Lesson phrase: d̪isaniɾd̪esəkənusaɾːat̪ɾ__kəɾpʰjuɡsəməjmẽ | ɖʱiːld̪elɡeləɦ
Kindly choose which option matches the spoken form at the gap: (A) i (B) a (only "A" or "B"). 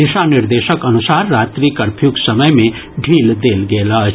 A